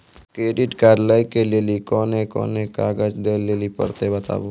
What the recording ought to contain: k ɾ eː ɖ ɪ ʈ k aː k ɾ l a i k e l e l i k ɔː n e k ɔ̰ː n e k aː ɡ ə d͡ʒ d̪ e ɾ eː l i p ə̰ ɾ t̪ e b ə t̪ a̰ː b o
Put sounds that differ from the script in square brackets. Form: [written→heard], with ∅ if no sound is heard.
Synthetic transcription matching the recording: k ɾ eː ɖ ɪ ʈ k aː [k→∅] ɾ l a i k e l e l i k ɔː n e k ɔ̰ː n e k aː ɡ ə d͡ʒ d̪ e [ɾ→l] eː l i p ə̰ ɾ t̪ e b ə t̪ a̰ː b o